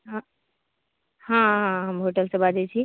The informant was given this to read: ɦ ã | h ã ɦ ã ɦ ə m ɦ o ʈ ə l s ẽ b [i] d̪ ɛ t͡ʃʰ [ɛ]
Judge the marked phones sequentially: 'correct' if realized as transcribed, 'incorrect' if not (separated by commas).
incorrect, incorrect